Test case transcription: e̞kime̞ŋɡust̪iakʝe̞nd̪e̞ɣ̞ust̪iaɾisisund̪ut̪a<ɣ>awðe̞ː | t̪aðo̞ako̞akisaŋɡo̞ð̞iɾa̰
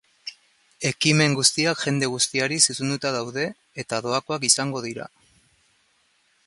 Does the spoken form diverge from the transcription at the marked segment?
yes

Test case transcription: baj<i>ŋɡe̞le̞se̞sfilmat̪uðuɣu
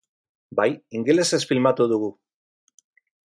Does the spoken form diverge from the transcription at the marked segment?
no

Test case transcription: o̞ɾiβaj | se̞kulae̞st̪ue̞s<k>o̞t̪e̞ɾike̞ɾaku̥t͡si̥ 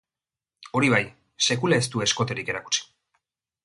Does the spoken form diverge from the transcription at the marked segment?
no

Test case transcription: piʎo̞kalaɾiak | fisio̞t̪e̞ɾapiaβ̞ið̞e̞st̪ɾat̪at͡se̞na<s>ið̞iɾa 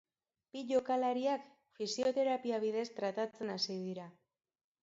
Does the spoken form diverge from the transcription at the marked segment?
no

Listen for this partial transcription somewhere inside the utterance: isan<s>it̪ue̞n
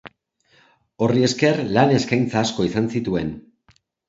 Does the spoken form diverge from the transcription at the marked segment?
no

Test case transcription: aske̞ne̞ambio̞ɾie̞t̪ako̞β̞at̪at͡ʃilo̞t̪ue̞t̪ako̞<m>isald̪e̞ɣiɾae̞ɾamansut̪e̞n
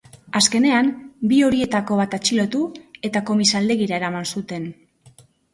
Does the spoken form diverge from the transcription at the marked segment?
no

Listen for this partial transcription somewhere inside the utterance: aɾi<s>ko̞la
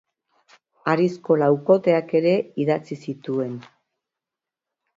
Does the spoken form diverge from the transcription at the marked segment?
no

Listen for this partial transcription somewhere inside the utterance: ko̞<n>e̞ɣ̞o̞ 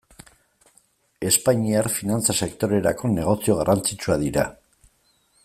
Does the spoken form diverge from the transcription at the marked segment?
no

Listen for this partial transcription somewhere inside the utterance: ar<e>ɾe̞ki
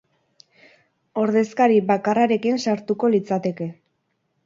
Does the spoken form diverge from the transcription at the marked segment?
yes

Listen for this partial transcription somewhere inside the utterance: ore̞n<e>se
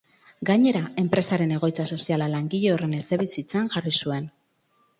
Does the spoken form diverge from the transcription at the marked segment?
no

